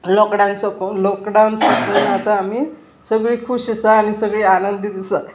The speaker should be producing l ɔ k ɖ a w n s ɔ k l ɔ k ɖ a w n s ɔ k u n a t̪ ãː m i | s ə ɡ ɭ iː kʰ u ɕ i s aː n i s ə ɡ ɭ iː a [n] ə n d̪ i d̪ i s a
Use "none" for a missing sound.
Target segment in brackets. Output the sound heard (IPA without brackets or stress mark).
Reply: n